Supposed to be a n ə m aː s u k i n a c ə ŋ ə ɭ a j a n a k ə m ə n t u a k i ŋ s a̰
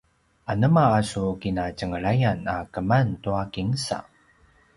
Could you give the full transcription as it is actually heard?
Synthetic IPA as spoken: a n ə m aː s u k i n a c ə ŋ ə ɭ a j a n a k ə m a n t u a k i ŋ s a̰